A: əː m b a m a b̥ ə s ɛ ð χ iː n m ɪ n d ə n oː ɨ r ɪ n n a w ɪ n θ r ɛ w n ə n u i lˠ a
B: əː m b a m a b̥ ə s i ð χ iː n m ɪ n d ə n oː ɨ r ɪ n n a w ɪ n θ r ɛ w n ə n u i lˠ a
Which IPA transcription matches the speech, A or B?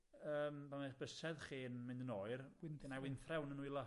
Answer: A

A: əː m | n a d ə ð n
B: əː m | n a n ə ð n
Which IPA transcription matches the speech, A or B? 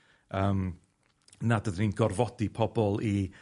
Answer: A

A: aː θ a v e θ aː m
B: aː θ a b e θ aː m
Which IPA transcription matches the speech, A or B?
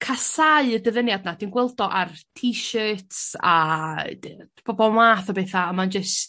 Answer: B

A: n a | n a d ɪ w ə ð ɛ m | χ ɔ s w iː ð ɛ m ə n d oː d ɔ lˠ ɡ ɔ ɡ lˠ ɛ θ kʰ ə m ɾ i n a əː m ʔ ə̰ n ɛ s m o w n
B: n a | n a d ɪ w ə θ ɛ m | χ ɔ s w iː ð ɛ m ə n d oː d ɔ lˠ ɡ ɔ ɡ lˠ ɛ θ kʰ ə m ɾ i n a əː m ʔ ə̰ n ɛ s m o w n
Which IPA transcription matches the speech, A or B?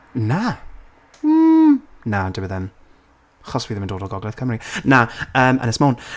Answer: A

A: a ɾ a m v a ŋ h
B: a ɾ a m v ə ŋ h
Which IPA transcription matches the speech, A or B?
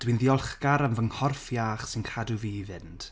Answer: B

